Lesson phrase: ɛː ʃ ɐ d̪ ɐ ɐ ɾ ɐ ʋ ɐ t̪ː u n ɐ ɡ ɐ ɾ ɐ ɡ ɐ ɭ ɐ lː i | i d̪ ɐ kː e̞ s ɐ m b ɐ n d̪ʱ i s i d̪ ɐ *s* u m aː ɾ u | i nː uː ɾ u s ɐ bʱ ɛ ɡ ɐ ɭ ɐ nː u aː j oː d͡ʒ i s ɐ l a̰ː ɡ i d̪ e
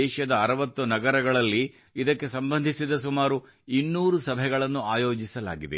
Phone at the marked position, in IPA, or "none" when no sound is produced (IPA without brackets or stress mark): s